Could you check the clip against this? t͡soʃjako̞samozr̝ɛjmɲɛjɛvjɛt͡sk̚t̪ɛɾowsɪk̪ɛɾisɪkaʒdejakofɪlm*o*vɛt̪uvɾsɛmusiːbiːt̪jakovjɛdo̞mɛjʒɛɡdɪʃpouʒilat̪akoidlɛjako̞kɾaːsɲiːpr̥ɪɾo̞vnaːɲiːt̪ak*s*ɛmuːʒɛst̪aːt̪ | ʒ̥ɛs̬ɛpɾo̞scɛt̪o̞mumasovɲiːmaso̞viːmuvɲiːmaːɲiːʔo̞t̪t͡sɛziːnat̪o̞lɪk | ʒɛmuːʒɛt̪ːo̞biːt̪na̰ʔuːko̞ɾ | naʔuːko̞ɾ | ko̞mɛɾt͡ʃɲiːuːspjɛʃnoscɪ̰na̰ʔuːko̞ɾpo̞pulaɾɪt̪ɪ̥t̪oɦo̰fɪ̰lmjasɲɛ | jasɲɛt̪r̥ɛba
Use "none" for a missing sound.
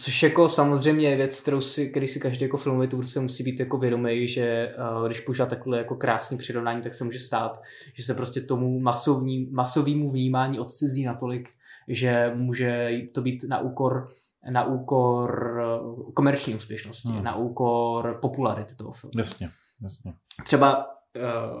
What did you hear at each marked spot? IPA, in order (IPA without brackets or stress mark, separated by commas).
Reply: o, s